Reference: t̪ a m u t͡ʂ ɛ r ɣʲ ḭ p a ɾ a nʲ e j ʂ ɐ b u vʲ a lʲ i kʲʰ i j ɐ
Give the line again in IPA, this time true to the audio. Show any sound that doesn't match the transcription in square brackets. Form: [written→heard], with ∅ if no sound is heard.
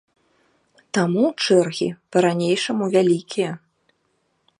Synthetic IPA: t̪ a m u t͡ʂ ɛ r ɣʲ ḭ p [a→ɐ] ɾ a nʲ e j ʂ ɐ [b→m] u vʲ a lʲ i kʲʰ i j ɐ